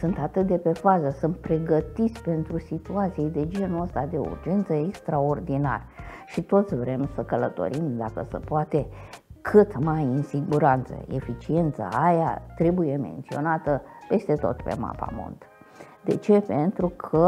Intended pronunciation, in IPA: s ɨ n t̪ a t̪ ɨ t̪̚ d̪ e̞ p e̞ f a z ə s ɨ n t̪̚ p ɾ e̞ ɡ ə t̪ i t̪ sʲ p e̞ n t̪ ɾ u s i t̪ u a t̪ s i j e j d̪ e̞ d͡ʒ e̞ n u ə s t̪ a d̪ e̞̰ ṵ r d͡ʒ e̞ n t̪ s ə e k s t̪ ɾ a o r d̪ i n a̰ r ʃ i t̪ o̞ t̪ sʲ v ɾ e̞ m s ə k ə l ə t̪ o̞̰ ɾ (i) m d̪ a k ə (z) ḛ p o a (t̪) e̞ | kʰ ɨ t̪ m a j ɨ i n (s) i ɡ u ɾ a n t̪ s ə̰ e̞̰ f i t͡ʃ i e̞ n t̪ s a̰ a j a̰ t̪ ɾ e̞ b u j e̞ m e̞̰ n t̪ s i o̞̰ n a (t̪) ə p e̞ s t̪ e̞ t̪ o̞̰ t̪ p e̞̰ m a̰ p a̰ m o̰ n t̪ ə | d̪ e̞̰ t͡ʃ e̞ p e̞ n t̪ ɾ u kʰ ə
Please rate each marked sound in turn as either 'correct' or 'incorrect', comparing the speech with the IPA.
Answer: correct, incorrect, correct, correct, correct

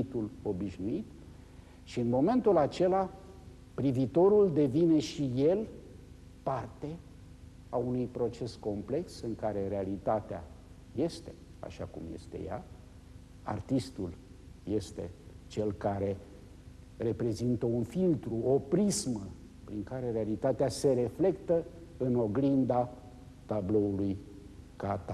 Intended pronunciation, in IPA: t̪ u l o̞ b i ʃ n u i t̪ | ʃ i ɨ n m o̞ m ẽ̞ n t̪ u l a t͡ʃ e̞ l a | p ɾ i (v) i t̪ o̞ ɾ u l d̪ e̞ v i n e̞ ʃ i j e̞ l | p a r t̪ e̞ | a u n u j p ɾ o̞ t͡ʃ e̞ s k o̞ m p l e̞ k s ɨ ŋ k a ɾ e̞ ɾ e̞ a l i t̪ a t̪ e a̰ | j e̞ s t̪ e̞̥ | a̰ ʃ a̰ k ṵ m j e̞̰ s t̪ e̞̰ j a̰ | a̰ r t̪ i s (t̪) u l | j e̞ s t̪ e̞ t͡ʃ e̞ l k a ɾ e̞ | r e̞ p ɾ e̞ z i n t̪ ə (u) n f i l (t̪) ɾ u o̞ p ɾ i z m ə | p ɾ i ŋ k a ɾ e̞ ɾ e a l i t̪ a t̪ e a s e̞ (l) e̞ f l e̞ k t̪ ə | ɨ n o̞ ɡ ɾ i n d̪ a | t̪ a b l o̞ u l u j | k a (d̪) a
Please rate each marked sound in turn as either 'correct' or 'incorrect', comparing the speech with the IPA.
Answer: correct, correct, correct, correct, incorrect, incorrect

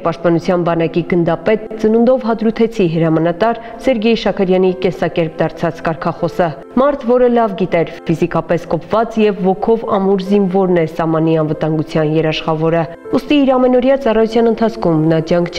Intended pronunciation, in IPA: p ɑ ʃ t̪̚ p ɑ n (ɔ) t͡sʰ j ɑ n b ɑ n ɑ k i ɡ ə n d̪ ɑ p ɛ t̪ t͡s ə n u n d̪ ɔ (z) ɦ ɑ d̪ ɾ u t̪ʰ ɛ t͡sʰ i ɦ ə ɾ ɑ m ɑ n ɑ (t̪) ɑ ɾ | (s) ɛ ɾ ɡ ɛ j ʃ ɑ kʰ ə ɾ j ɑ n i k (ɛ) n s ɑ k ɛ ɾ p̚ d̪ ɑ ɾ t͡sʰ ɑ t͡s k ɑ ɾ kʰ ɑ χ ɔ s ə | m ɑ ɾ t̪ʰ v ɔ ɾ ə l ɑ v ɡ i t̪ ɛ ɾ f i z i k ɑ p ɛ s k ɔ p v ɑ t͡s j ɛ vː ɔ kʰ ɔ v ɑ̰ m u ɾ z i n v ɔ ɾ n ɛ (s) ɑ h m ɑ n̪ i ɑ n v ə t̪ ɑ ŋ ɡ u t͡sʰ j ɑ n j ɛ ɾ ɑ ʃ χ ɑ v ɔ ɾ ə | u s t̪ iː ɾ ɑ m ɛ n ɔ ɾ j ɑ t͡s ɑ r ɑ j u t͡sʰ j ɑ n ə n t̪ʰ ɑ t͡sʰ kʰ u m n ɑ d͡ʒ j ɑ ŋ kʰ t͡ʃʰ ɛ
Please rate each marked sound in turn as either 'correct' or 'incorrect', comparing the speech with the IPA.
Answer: incorrect, incorrect, correct, correct, correct, correct

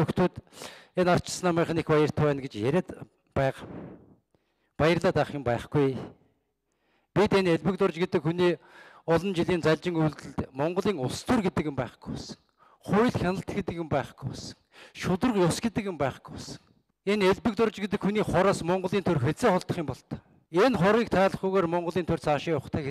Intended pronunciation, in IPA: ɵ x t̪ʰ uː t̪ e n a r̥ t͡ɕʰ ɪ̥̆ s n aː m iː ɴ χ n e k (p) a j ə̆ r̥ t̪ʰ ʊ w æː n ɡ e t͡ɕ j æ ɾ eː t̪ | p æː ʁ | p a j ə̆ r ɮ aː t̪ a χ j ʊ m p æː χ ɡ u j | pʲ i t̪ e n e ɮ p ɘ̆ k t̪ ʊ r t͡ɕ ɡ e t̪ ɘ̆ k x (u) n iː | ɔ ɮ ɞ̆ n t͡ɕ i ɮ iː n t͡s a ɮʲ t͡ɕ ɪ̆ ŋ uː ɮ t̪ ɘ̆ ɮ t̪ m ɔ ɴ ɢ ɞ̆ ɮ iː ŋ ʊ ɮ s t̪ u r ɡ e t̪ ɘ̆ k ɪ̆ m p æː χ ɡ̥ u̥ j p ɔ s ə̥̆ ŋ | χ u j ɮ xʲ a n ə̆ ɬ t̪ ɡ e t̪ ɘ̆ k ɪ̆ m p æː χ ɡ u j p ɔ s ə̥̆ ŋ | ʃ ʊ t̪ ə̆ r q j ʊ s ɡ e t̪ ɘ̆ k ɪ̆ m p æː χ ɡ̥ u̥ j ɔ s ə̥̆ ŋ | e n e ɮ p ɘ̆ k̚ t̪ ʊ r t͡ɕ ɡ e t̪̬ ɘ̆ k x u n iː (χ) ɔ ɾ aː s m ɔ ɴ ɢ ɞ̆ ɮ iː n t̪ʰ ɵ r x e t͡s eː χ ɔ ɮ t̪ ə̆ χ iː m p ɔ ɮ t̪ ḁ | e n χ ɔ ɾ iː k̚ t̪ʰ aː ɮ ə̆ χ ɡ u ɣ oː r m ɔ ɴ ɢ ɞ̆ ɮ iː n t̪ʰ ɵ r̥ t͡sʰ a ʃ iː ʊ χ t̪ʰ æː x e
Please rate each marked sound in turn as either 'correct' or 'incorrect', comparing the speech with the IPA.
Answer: correct, correct, correct

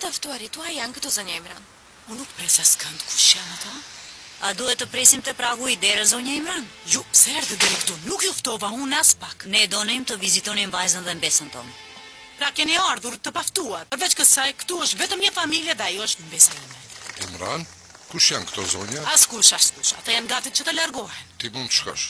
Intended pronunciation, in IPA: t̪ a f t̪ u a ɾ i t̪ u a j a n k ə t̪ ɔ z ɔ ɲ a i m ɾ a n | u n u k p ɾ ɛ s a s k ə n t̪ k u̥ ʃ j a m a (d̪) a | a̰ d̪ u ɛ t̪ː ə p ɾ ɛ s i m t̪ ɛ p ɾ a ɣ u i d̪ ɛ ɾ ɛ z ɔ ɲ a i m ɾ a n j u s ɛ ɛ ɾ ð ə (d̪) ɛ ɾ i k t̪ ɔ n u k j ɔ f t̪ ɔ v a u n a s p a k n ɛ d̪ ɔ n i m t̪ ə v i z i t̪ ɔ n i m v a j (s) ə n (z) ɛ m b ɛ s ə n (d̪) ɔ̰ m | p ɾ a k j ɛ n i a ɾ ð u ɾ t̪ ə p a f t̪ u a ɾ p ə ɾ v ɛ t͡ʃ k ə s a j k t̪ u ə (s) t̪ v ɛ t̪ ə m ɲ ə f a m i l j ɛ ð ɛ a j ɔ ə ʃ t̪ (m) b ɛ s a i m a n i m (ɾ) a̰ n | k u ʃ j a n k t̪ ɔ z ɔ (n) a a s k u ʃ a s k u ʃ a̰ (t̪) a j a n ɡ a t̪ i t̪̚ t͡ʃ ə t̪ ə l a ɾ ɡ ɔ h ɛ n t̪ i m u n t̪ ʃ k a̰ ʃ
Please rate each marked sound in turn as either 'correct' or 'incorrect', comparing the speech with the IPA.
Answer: incorrect, correct, incorrect, incorrect, incorrect, incorrect, correct, correct, incorrect, correct

